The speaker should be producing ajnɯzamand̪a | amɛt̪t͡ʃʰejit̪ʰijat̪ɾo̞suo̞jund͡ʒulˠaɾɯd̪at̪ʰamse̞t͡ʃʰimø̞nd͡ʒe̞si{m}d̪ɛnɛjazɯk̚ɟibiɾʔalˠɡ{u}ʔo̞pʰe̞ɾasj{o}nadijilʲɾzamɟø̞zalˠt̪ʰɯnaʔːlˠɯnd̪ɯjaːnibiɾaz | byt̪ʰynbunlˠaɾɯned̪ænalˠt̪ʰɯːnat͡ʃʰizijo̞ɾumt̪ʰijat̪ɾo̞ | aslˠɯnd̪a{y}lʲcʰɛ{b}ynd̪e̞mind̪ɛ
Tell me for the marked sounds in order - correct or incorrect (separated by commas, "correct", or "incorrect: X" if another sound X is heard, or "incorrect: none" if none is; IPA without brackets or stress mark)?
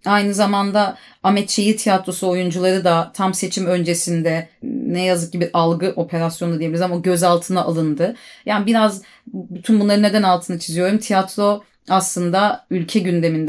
incorrect: n, incorrect: ɯ, correct, correct, incorrect: ɟ